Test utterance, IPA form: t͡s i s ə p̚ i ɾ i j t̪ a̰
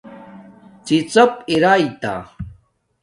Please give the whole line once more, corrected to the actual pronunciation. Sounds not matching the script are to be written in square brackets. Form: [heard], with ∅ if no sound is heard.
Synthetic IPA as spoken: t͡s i [t͡s] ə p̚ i ɾ [a] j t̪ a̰